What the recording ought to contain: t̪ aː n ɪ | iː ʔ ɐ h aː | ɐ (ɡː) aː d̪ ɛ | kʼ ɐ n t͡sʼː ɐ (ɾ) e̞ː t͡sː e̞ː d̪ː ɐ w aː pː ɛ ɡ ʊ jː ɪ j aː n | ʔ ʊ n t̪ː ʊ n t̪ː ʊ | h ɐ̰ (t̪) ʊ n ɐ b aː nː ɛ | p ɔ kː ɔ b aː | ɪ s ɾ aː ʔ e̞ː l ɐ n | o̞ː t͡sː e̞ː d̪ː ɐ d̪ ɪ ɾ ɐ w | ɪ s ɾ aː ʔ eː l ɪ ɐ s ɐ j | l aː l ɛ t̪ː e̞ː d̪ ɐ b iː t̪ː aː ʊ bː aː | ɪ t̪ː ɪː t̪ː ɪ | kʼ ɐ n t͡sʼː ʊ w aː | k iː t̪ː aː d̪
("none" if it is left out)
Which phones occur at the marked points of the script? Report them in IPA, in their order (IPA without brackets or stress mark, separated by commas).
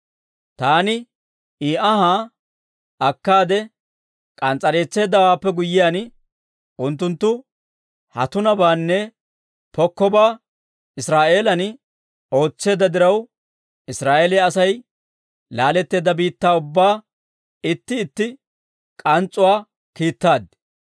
kː, ɾ, t̪